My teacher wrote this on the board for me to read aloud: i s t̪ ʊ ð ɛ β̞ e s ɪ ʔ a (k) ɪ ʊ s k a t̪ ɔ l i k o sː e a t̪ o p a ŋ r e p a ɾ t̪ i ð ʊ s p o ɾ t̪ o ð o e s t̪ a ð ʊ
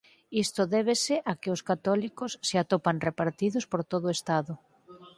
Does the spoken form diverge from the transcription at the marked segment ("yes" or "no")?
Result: no